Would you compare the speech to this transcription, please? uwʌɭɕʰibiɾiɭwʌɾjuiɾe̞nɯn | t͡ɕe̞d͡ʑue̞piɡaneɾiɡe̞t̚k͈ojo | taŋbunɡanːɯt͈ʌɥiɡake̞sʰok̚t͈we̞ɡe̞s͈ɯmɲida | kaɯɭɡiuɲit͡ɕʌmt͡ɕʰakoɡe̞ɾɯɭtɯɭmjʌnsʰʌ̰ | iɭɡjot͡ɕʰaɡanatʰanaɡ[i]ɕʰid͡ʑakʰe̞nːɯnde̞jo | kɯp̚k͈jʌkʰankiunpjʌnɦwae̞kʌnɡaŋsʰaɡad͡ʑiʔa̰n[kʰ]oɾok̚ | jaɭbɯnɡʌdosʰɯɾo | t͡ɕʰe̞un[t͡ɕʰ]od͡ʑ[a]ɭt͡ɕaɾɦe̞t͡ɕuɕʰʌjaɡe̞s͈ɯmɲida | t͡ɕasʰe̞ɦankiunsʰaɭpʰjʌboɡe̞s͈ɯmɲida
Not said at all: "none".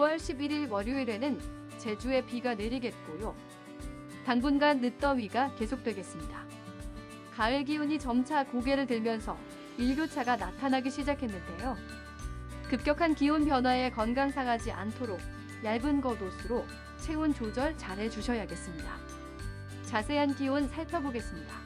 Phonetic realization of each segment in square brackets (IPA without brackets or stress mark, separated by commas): i, tʰ, t͡ɕ, ʌ